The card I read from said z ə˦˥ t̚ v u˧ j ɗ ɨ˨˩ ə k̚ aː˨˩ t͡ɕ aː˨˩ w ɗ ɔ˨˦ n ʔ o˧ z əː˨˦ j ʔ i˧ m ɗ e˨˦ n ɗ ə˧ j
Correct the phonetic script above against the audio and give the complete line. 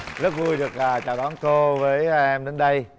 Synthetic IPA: z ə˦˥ t̚ v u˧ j ɗ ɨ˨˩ ə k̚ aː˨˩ t͡ɕ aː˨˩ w ɗ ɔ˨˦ n k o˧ v əː˨˦ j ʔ ɛ˧ m ɗ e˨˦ n ɗ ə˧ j